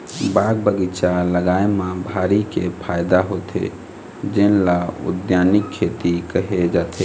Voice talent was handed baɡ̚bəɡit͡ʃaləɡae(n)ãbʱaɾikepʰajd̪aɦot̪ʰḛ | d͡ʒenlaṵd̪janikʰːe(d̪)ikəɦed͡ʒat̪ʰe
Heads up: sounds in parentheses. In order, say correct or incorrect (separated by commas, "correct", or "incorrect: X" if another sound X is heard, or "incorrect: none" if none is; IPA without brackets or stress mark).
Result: incorrect: m, incorrect: t̪